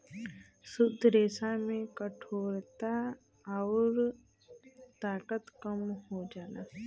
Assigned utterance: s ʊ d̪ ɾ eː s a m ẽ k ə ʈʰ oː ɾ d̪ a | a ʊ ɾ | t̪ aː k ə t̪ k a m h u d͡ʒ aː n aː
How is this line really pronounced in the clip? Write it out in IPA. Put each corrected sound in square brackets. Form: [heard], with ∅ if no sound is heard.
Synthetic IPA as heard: s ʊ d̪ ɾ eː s a m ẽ k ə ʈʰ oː ɾ [t̪] a | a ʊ ɾ | t̪ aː k ə t̪ k [ə] m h [o] d͡ʒ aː n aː